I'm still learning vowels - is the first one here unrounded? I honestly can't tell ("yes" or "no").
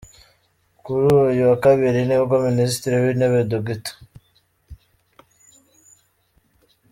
no